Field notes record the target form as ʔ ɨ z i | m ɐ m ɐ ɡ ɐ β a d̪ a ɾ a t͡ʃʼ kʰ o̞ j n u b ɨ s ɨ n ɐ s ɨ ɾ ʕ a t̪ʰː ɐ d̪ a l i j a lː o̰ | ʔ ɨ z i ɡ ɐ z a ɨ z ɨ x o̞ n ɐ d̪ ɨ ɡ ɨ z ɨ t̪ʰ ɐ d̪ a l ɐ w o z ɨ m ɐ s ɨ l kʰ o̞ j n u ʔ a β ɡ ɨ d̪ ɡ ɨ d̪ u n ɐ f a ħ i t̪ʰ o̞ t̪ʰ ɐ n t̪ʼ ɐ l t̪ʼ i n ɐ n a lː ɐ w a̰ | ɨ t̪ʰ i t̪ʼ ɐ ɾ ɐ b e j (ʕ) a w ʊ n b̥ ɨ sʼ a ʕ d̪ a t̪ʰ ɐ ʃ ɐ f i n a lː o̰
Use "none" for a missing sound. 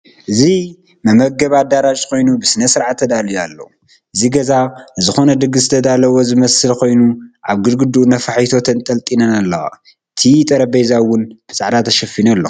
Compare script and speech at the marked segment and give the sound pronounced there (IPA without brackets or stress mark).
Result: z